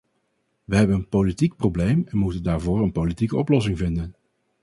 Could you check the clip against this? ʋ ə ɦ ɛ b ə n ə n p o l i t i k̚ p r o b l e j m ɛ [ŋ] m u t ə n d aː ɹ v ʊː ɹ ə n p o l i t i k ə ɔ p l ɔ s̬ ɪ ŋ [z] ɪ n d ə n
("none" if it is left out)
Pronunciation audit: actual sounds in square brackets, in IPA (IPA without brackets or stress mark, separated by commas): n, v